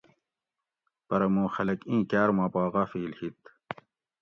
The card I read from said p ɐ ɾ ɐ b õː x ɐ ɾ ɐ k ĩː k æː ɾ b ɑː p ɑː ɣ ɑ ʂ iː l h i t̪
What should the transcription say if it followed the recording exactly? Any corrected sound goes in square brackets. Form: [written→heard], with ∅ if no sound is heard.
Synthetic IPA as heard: p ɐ ɾ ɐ [b→m] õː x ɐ [ɾ→l] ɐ k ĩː k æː ɾ [b→m] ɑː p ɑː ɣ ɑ [ʂ→f] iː l h i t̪

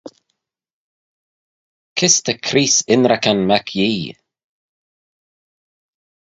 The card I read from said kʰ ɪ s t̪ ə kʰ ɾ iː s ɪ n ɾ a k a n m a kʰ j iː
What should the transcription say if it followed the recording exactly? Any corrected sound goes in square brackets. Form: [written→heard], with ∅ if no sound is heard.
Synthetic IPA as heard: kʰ ɪ s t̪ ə kʰ ɾ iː s ɪ n ɾ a k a n m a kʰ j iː

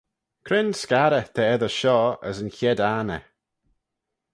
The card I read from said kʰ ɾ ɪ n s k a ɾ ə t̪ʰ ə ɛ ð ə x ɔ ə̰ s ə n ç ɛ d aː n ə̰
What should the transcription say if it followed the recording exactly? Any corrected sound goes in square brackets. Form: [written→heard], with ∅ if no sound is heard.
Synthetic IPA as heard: kʰ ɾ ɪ n s k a ɾ ə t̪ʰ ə ɛ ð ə [x→ʃ] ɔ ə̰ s ə n ç ɛ d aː n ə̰

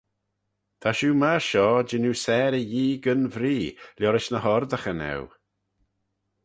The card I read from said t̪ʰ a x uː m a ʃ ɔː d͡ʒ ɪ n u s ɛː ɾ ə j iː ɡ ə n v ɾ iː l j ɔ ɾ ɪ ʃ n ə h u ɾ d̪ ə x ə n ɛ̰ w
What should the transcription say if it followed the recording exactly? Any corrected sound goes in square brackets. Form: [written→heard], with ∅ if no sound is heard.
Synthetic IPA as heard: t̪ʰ a [x→ʃ] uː m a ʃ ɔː d͡ʒ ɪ n u s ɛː ɾ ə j iː ɡ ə n v ɾ iː l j ɔ ɾ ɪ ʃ n ə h [u→ɔ] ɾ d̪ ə x ə n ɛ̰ w

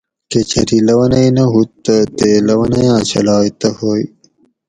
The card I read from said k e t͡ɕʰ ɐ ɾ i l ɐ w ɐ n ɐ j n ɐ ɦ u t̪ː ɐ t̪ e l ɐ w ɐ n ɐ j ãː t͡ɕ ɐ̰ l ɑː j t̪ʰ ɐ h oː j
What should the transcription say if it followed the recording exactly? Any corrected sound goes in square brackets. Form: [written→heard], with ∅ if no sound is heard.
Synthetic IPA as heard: k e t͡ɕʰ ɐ ɾ i l ɐ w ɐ n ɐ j n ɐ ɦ u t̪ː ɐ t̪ e l ɐ w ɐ n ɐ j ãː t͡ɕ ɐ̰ l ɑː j [t̪ʰ→t̪] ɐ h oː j

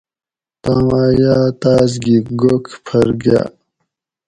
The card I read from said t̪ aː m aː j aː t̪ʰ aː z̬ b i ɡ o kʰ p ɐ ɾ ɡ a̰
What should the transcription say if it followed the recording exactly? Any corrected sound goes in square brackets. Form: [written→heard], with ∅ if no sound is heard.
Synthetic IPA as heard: t̪ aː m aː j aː [t̪ʰ→t̪] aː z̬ [b→ɡ] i ɡ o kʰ [p→pʰ] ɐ ɾ ɡ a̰

